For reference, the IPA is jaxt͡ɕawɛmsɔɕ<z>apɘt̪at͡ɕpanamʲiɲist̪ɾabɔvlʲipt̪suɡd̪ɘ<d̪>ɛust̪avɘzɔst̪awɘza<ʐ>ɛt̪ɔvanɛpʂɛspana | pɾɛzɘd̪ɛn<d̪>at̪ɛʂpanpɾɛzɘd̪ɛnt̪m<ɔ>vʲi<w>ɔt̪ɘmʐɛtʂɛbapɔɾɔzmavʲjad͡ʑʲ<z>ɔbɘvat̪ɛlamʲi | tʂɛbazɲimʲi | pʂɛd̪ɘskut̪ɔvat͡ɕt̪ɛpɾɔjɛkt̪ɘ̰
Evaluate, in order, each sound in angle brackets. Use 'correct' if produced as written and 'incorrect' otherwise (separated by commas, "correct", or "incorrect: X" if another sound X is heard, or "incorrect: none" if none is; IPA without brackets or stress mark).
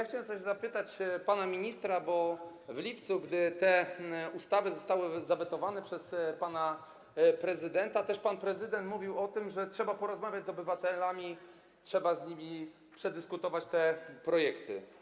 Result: correct, incorrect: t̪, incorrect: v, incorrect: t̪, incorrect: u, correct, correct